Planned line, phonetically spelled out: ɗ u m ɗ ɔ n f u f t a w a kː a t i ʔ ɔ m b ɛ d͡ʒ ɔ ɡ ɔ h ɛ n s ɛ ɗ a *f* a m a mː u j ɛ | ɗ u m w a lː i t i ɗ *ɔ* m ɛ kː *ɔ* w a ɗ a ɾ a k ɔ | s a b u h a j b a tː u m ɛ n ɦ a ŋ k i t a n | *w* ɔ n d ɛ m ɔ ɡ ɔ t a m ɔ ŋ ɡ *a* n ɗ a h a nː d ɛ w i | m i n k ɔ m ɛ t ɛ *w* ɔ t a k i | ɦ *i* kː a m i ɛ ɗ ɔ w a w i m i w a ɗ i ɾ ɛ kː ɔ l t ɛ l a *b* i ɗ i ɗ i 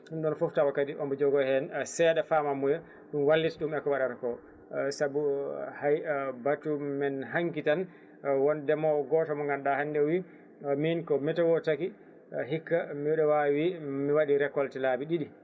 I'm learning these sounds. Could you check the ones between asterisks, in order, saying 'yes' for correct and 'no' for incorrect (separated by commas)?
yes, no, yes, yes, yes, yes, yes, yes